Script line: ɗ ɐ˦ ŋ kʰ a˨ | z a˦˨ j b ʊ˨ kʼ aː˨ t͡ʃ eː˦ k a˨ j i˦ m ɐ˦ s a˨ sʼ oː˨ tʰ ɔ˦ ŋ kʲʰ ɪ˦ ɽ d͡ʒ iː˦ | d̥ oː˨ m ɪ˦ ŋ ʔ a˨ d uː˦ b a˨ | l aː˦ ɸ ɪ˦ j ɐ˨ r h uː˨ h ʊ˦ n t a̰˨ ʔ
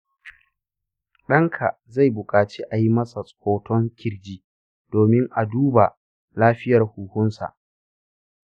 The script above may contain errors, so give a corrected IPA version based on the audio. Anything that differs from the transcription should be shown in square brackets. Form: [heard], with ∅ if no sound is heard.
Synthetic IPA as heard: ɗ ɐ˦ ŋ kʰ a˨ | z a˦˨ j b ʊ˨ kʼ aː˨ t͡ʃ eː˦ [ʔ] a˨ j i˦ m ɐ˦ s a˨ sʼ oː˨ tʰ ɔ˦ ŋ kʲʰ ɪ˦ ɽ d͡ʒ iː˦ | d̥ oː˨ m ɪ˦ ŋ ʔ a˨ d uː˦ b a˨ | l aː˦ ɸ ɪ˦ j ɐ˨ r h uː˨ h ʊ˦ n [s] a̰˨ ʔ

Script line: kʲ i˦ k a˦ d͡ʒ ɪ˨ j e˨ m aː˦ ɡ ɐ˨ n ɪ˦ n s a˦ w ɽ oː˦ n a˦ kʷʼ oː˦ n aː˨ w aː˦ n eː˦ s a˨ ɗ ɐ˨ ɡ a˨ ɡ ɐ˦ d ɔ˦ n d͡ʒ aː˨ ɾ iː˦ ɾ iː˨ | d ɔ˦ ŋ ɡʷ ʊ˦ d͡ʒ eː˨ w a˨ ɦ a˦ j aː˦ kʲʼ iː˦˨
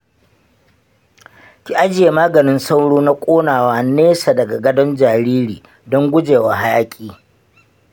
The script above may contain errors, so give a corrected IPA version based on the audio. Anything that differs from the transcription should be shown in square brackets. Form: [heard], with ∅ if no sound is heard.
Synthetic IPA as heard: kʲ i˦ [ʔ] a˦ d͡ʒ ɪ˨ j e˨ m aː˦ ɡ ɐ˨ n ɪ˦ n s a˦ w ɽ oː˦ n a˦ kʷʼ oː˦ n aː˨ w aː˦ n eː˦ s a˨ [d] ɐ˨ ɡ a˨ ɡ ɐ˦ d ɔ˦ n d͡ʒ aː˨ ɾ iː˦ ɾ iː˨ | d ɔ˦ ŋ ɡʷ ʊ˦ d͡ʒ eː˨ w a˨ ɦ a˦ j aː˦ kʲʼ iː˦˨

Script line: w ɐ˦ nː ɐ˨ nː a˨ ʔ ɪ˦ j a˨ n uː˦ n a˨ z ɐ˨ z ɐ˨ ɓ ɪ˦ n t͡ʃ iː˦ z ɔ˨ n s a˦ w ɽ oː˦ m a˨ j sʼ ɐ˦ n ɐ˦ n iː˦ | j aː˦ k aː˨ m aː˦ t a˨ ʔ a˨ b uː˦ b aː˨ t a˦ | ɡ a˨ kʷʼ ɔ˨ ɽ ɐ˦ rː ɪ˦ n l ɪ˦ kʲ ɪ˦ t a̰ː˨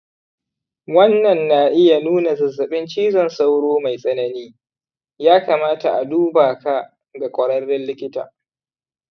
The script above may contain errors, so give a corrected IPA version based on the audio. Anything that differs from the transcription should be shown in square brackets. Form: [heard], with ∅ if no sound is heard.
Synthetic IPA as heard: w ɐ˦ nː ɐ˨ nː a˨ ʔ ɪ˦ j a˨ n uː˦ n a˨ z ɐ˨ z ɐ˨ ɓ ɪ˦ n t͡ʃ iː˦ z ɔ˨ n s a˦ w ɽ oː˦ m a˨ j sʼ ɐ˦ n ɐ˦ n iː˦ | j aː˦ k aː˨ m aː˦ t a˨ ʔ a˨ [d] uː˦ b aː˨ [k] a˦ | ɡ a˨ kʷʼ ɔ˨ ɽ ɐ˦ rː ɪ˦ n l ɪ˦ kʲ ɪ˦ t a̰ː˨

